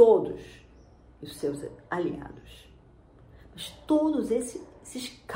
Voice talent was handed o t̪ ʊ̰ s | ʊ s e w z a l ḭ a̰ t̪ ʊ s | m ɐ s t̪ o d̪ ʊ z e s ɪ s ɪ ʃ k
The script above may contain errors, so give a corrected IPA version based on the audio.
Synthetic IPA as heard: o d̪ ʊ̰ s | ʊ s e w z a l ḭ a̰ d̪ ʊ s | m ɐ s t̪ o d̪ ʊ z e s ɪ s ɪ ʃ k